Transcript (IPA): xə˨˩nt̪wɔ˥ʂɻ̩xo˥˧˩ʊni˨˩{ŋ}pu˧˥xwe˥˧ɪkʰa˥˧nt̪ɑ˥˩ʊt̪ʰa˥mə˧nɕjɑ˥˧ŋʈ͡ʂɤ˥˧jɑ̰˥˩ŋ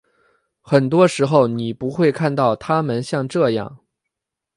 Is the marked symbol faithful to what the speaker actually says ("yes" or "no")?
no